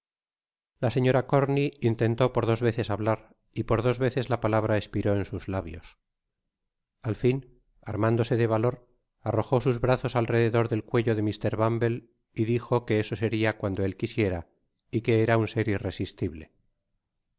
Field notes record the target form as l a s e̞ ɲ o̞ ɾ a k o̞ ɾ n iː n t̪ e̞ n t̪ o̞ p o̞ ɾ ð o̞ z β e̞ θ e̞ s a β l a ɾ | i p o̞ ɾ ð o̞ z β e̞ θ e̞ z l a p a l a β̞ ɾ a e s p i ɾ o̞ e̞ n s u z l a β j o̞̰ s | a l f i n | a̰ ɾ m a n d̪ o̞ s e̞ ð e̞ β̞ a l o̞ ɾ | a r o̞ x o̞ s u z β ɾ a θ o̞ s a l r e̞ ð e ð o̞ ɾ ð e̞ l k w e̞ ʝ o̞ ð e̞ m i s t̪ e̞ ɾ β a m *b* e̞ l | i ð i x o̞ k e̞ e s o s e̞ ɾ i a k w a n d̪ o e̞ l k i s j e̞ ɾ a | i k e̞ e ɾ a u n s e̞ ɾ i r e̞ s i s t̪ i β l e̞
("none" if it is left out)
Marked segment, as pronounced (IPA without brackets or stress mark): b